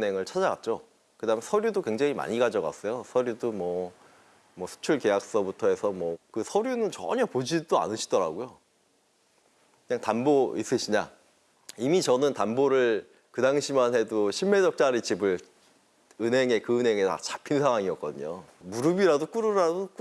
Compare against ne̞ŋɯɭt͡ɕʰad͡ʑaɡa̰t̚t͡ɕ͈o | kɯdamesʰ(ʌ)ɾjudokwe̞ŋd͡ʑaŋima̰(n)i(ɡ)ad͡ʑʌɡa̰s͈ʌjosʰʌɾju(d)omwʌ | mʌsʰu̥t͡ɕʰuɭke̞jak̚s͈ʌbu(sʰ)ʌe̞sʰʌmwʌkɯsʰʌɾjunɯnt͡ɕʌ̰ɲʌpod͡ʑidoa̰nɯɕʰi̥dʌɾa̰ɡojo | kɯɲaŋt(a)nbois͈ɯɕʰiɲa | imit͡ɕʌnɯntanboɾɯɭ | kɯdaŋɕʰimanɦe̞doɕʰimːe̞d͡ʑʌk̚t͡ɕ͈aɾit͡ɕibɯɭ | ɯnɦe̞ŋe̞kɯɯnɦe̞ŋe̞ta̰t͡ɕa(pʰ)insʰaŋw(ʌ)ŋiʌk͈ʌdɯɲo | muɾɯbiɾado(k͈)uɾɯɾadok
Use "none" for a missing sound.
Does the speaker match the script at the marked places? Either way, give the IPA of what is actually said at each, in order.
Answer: ʌ, ɲ, ɡ, d, tʰ, a, pʰ, a, k͈

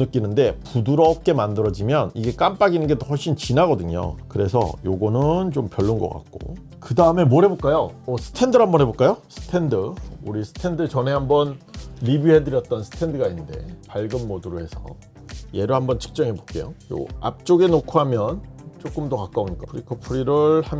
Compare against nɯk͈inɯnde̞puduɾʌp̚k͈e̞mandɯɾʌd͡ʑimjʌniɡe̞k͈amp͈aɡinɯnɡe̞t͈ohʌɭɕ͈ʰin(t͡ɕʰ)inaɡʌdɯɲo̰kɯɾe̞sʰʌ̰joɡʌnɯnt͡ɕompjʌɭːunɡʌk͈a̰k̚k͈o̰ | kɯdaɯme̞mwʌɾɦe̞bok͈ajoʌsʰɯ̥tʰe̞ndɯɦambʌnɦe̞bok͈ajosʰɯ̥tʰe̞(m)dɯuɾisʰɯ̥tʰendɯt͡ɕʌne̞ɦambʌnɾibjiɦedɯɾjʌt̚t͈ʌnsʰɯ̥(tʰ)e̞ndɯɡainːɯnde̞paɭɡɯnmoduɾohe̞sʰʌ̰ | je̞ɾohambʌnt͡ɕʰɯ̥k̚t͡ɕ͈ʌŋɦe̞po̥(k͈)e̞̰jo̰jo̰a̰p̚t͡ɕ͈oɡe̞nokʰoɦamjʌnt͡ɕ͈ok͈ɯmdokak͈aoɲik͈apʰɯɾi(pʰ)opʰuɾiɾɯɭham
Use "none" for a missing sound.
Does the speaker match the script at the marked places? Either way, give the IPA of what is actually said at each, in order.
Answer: t͡ɕ, n, tʰ, k͈, kʰ

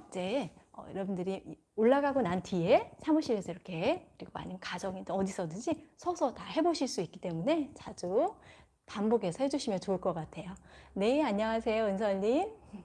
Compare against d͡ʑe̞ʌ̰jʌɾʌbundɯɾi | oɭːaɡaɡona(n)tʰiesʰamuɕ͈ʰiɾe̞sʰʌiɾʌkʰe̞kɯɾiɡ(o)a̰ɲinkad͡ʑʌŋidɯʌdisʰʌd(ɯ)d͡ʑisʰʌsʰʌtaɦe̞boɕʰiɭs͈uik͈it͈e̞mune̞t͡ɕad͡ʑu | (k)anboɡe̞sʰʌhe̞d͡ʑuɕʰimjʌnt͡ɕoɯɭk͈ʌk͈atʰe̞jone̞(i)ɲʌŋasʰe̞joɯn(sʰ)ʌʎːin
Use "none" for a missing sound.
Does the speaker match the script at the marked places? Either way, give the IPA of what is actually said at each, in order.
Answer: n, o, ɯ, p, a, sʰ

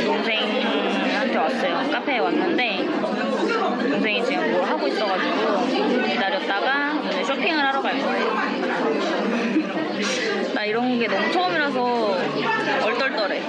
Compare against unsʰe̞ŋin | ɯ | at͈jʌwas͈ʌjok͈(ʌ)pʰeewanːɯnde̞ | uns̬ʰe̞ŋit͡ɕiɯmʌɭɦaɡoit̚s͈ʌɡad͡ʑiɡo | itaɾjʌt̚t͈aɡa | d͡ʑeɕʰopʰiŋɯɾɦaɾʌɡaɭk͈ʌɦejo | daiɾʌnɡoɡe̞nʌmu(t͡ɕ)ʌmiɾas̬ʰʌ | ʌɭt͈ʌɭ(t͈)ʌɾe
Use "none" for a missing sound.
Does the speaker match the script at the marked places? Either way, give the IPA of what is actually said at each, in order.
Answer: a, t͡ɕʰ, t͈

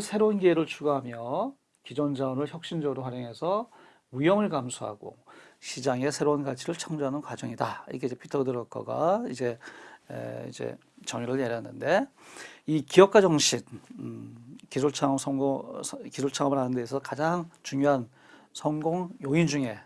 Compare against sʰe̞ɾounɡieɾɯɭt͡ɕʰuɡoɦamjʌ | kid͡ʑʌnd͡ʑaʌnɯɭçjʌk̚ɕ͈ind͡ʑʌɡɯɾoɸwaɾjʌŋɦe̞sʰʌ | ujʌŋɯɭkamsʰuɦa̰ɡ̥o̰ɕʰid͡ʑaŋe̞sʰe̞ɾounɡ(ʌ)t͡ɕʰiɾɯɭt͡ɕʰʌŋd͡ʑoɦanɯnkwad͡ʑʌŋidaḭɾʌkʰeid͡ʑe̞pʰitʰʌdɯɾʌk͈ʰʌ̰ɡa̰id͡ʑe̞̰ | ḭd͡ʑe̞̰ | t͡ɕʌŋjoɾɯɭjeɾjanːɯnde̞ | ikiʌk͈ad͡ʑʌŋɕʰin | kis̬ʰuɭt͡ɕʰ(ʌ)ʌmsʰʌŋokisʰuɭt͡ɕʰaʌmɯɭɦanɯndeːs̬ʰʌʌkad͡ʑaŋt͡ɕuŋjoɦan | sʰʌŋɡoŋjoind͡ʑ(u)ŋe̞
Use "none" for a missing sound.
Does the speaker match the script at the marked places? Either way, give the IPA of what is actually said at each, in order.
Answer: a, a, u

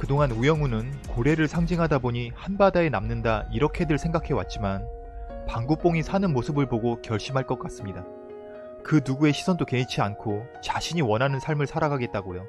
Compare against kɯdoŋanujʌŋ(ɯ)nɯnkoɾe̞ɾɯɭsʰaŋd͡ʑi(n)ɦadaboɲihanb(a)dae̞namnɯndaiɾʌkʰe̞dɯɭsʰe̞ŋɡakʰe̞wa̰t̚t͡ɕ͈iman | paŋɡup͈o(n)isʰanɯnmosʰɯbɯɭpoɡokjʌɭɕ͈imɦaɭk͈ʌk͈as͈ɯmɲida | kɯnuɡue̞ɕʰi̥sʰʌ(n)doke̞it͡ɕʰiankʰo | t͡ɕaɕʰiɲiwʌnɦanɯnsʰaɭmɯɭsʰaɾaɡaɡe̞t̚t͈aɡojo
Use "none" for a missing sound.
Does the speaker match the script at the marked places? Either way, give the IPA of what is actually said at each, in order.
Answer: u, ŋ, a, ŋ, n

